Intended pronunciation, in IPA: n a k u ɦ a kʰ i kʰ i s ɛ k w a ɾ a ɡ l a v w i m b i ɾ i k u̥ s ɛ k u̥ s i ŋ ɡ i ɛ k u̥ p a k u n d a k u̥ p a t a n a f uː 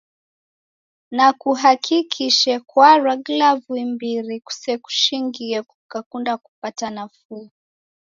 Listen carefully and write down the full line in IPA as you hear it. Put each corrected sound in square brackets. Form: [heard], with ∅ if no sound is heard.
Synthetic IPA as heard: n a k u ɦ a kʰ i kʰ i [ʃ] ɛ k w a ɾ a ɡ l a v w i m b i ɾ i k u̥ s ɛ k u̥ [ʃ] i ŋ ɡ i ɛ k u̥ [k] a k u n d a k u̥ p a t a n a f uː